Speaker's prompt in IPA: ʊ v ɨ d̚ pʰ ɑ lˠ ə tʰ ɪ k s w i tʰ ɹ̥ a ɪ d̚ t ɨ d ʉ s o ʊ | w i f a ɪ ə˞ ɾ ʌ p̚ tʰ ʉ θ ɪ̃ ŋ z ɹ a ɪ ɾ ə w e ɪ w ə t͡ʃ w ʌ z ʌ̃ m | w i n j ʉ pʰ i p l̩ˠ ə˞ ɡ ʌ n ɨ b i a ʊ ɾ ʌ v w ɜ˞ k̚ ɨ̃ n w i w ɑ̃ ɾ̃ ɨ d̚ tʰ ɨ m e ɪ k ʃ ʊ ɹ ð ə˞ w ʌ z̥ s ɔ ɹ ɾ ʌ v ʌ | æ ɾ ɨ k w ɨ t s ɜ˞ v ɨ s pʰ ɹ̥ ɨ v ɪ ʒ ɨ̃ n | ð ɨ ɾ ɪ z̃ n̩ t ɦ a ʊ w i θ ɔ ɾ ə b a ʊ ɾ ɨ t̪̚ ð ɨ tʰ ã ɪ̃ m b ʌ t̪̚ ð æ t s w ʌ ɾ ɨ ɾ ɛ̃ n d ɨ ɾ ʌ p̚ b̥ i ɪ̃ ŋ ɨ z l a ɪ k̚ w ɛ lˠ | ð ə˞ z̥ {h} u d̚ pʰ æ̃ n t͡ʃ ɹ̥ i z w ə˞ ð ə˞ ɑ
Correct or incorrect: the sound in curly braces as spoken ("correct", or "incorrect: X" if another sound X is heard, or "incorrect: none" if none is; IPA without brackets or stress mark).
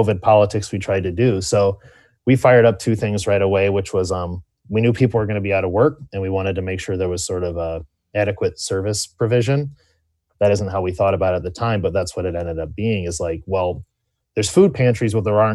incorrect: f